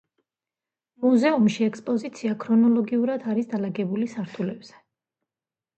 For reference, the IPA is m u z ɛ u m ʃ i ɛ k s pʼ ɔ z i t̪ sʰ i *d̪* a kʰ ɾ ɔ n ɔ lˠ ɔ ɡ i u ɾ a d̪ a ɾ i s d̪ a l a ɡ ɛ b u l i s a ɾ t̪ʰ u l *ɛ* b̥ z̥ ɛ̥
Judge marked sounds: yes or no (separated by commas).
no, yes